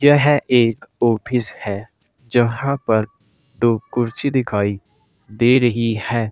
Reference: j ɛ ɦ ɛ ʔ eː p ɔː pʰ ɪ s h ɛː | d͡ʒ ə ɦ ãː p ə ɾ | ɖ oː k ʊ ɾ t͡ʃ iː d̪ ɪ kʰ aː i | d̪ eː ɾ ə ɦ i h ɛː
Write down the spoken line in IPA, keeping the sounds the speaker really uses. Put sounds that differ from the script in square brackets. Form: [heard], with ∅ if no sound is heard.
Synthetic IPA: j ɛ ɦ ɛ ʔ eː [k] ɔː pʰ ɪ s h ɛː | d͡ʒ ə ɦ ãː p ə ɾ | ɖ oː k ʊ ɾ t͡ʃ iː d̪ ɪ kʰ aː i | d̪ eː ɾ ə ɦ i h ɛː

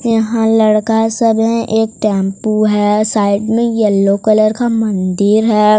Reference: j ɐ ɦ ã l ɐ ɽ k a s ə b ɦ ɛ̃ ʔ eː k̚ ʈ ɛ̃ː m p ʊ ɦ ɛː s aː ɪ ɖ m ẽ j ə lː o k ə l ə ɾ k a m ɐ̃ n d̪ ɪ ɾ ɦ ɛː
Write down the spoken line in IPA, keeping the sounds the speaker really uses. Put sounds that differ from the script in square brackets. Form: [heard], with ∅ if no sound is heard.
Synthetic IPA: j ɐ ɦ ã l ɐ ɽ k a s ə b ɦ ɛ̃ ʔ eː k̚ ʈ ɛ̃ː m p [u] ɦ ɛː s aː ɪ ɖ m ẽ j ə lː o k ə l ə ɾ k a m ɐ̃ n d̪ ɪ ɾ ɦ ɛː

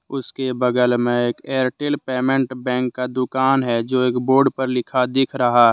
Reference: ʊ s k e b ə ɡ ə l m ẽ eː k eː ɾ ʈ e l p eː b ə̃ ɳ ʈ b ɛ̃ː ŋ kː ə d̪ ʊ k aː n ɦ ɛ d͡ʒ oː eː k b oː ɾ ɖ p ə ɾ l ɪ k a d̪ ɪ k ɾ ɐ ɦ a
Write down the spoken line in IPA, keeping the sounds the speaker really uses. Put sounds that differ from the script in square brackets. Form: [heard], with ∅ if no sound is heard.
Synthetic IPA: ʊ s k e b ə ɡ ə l m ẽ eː k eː ɾ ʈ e l p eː [m] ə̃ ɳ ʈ b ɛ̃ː ŋ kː [a] d̪ ʊ k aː n ɦ ɛ d͡ʒ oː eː k b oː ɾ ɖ p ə ɾ l ɪ [kʰ] a d̪ ɪ [kʰ] ɾ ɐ ɦ a

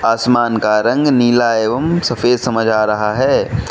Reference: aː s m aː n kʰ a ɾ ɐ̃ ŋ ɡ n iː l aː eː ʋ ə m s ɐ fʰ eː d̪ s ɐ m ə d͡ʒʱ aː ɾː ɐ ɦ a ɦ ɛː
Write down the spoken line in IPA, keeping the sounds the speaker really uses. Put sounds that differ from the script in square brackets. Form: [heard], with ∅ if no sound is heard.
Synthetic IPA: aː s m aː n [k] a ɾ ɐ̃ ŋ ɡ n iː l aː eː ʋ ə m s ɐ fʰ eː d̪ s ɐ m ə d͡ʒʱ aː [ɾ] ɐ ɦ a ɦ ɛː

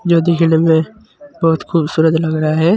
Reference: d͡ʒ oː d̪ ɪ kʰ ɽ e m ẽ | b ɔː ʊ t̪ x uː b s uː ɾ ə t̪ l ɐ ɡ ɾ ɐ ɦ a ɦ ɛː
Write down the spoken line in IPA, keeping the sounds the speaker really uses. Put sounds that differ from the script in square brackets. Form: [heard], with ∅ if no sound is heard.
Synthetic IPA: d͡ʒ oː d̪ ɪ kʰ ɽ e m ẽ | b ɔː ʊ t̪ x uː b s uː ɾ ə t̪ l ɐ ɡ ɾ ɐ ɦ a ɦ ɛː

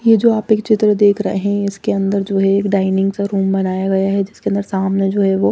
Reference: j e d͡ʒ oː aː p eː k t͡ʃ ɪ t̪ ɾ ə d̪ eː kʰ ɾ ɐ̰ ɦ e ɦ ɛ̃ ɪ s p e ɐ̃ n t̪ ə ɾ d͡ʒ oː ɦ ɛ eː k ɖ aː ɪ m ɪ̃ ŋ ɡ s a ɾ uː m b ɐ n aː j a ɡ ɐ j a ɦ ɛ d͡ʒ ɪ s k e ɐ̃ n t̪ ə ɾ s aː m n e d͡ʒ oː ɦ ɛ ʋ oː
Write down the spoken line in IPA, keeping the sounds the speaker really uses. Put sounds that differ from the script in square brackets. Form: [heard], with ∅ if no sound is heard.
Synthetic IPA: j e d͡ʒ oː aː p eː k t͡ʃ ɪ t̪ ɾ ə d̪ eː kʰ ɾ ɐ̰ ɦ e ɦ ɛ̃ ɪ s [k] e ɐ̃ n [d̪] ə ɾ d͡ʒ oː ɦ ɛ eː k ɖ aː ɪ [n] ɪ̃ ŋ ɡ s a ɾ uː m b ɐ n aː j a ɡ ɐ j a ɦ ɛ d͡ʒ ɪ s k e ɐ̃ n [d̪] ə ɾ s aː m n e d͡ʒ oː ɦ ɛ ʋ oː

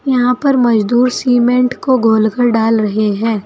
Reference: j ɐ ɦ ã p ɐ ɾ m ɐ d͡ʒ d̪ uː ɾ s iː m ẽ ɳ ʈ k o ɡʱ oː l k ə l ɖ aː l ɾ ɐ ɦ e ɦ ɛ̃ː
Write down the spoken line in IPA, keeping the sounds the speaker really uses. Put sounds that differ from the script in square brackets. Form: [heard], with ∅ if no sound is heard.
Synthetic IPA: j ɐ ɦ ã p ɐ ɾ m ɐ d͡ʒ d̪ uː ɾ s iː m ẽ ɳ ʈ k o ɡʱ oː l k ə [ɾ] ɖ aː l ɾ ɐ ɦ e ɦ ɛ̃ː

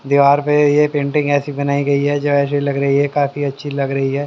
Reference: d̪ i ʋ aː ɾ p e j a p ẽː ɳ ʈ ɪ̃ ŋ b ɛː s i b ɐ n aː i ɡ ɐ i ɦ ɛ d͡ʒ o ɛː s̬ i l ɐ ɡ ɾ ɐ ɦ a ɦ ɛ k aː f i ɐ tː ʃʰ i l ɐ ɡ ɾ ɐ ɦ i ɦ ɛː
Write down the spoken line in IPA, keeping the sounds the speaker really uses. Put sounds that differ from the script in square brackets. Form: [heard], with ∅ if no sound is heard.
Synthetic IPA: d̪ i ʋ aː ɾ p e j [e] p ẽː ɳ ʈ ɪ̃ ŋ [ɡ] ɛː s i b ɐ n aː i ɡ ɐ i ɦ ɛ d͡ʒ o ɛː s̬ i l ɐ ɡ ɾ ɐ ɦ [i] ɦ ɛ k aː f i ɐ tː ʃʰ i l ɐ ɡ ɾ ɐ ɦ i ɦ ɛː

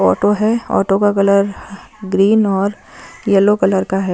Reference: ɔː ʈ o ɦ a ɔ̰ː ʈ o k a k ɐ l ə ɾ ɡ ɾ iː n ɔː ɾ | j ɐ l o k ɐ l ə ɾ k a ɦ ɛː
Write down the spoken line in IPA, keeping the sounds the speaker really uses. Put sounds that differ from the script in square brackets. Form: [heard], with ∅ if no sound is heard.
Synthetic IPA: ɔː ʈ o ɦ [ɛ] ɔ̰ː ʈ o k a k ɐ l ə ɾ ɡ ɾ iː n ɔː ɾ | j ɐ l o k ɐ l ə ɾ k a ɦ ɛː

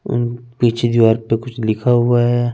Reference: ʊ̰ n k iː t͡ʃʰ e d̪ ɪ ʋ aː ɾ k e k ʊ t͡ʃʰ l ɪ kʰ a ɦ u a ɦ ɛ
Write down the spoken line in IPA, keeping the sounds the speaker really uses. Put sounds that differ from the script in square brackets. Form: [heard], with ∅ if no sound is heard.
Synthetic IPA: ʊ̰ n [p] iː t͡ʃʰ e d̪ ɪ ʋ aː ɾ [p] e k ʊ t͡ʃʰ l ɪ kʰ a ɦ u a ɦ ɛ

